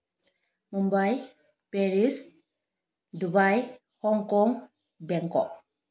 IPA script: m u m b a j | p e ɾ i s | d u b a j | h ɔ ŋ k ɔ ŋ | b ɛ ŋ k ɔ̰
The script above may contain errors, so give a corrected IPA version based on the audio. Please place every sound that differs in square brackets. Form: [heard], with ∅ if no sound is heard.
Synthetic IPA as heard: m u m b a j | p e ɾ i s | d u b a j | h ɔ ŋ k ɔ ŋ | b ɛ ŋ k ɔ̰